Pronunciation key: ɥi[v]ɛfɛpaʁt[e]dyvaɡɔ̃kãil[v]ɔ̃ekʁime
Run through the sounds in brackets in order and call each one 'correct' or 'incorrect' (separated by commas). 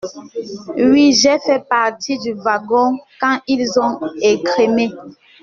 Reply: incorrect, incorrect, incorrect